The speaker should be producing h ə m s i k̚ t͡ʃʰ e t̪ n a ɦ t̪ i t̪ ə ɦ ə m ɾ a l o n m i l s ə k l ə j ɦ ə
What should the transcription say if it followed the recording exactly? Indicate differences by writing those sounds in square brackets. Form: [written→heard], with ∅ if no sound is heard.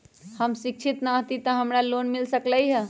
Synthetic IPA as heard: h ə m s i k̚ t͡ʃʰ [e→i] t̪ n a ɦ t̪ i t̪ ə ɦ ə m ɾ a l o n m i l s ə k l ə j ɦ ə